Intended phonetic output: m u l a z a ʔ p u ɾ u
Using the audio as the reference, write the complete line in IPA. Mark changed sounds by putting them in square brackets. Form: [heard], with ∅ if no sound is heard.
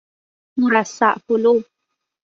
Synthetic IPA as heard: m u [ɾ] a [s] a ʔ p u [l] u